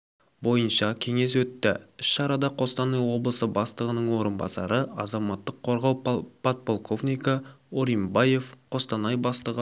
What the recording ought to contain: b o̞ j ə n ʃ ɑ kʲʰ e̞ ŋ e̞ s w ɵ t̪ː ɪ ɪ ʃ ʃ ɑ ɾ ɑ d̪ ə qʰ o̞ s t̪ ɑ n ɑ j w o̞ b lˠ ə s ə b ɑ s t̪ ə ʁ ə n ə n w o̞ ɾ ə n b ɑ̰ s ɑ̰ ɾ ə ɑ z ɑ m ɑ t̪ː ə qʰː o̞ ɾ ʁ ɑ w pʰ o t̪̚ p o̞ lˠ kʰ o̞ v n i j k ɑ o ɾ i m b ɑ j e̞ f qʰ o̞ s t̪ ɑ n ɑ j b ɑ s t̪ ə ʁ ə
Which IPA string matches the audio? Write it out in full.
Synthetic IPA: b o̞ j ə n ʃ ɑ kʲʰ e̞ ŋ e̞ s w ɵ t̪ː ɪ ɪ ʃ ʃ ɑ ɾ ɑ d̪ ɑ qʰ o̞ s t̪ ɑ n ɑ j w o̞ b lˠ ə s ə b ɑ s t̪ ə ʁ ə n ə ɴ w o̞ ɾ ə n b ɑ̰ s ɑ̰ ɾ ə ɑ z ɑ m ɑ t̪ː ə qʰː o̞ ɾ ʁ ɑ w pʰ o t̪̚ p o̞ lˠ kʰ o̞ v n i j k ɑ o ɾ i m b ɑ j e̞ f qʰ o̞ s t̪ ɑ n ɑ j b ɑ s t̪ ə ʁ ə